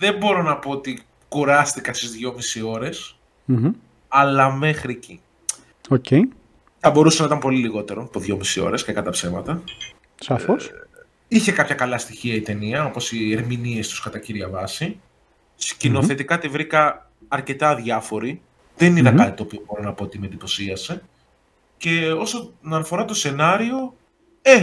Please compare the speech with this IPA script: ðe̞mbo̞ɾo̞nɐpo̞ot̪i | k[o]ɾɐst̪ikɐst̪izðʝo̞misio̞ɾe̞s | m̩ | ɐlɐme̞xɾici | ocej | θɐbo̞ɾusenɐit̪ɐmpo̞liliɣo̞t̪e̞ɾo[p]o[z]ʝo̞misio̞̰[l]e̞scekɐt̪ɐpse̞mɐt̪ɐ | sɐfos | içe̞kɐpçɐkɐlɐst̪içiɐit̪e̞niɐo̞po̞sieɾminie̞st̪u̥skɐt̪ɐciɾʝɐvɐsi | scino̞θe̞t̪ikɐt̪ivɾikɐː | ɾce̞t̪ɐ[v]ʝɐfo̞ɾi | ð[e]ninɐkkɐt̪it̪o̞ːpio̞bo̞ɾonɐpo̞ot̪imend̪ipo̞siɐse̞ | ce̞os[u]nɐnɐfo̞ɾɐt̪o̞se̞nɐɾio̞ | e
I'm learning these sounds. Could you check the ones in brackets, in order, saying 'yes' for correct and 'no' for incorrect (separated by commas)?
no, yes, no, no, no, yes, no